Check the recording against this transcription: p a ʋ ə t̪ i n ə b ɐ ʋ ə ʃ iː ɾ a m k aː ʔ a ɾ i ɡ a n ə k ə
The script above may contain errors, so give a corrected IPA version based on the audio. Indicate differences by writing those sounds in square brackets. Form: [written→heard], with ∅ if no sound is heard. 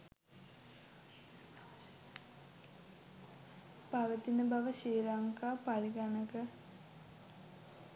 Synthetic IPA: p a ʋ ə t̪ i n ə b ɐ ʋ ə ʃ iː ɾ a [m→ŋ] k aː [ʔ→p] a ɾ i ɡ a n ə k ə